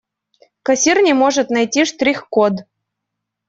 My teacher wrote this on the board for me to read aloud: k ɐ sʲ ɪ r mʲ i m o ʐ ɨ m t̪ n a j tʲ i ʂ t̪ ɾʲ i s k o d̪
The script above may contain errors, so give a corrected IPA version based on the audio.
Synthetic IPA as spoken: k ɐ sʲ i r nʲ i m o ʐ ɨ t̪ n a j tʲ i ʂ t̪ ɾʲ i x k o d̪